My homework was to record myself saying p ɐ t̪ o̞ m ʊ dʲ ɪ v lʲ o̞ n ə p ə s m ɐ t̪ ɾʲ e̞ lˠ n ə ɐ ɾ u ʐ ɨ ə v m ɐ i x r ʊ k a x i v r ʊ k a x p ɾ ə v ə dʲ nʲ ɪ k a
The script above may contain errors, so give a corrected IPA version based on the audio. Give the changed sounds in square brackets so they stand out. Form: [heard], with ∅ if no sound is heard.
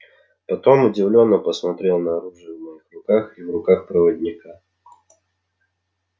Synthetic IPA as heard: p ɐ t̪ o̞ m ʊ dʲ ɪ v lʲ o̞ [nː] ə p ə s m ɐ t̪ ɾʲ e̞ lˠ n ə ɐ ɾ u ʐ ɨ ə v m ɐ i x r ʊ k a x i v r ʊ k a x p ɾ ə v ə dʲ nʲ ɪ k a